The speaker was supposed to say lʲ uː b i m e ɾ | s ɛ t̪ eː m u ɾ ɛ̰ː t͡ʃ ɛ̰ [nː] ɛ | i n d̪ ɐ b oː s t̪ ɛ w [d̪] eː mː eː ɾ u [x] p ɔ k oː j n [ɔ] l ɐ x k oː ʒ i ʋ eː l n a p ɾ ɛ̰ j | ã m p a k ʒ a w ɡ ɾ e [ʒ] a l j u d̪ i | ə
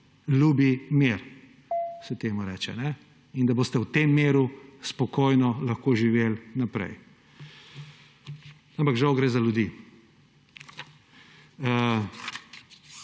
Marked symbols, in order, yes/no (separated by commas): no, no, no, yes, no